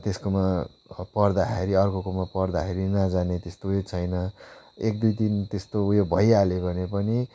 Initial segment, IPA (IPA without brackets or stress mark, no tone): t̪